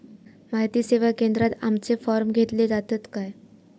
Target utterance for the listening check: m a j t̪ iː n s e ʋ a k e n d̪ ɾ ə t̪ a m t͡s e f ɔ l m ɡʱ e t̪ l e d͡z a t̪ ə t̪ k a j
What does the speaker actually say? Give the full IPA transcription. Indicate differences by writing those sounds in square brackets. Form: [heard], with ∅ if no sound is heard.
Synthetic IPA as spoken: m a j t̪ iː [∅] s e ʋ a k e n d̪ ɾ [a] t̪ a m t͡s e f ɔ [ɾ] m ɡʱ e t̪ l e d͡z a t̪ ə t̪ k a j